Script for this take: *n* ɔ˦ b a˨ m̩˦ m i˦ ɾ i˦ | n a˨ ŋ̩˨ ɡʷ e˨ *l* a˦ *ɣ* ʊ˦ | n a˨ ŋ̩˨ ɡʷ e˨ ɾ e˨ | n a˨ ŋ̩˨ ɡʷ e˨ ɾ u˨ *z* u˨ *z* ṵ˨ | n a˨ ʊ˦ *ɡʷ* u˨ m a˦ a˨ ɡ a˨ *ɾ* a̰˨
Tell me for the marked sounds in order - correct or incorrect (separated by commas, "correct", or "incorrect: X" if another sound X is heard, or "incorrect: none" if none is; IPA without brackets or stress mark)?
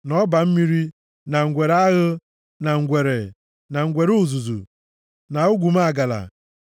correct, incorrect: ɾ, correct, correct, correct, correct, incorrect: l